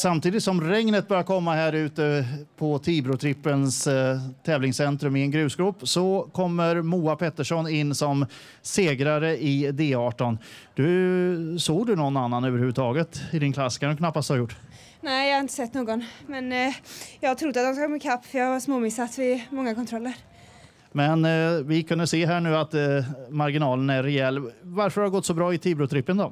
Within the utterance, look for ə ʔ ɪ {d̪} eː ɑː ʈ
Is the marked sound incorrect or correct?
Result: correct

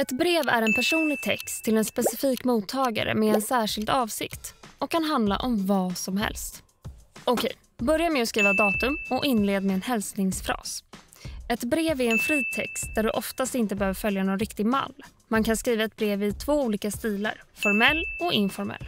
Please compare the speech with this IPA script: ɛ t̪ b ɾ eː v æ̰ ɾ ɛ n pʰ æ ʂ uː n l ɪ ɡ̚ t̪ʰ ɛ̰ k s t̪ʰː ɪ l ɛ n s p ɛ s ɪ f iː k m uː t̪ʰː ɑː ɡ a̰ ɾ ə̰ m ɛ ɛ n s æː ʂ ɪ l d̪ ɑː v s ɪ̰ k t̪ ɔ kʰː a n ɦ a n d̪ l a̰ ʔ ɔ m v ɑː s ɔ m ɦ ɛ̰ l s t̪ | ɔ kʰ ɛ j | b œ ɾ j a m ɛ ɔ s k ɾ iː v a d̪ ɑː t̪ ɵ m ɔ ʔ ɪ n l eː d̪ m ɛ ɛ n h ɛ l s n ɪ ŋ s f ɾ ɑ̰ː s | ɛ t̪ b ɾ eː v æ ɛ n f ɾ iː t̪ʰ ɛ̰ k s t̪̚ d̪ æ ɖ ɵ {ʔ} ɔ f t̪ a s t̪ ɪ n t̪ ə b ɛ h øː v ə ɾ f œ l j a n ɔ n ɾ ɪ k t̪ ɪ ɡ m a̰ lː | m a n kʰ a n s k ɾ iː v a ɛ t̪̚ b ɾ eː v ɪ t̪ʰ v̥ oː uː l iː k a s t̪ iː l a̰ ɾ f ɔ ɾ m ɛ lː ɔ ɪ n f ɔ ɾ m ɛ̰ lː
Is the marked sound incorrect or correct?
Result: correct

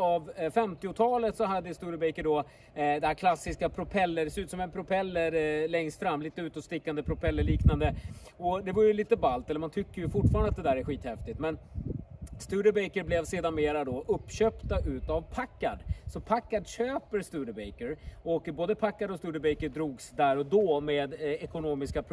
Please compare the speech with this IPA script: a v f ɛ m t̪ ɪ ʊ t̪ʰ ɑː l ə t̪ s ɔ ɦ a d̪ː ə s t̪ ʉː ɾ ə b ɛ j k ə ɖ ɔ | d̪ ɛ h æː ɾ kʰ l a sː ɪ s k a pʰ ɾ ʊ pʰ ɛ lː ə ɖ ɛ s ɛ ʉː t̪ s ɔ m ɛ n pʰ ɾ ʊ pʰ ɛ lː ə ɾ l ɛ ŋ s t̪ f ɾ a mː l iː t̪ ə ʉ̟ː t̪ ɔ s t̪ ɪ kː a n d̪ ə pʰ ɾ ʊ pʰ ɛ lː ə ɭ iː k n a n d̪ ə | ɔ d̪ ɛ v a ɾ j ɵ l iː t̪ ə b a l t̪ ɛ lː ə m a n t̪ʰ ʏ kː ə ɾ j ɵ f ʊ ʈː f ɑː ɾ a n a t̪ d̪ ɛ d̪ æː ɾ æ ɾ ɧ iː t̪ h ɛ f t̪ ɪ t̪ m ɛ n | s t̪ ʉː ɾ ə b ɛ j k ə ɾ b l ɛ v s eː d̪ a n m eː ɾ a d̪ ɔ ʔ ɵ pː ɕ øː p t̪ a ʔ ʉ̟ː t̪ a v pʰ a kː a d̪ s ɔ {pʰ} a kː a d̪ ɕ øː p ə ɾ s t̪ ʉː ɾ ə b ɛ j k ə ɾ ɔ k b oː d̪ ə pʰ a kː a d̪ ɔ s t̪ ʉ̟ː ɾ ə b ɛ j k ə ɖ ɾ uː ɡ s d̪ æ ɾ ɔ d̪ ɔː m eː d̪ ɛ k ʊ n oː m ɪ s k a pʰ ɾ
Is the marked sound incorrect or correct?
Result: correct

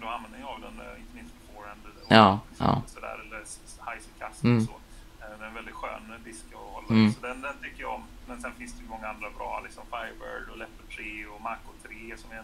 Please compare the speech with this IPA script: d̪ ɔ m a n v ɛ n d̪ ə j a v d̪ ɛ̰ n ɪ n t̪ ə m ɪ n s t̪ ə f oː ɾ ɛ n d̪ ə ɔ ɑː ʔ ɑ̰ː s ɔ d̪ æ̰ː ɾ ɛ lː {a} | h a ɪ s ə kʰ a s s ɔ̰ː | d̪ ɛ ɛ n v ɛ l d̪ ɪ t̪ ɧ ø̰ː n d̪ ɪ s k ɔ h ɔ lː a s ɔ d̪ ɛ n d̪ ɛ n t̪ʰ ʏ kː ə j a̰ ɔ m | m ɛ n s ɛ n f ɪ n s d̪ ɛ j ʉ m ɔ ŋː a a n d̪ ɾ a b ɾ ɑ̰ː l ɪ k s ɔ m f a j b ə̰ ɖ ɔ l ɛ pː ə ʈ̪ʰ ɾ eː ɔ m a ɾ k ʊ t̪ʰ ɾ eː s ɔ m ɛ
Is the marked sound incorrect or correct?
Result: incorrect: ə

